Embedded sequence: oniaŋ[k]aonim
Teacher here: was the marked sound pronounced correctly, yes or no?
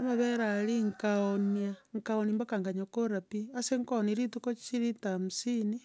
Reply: yes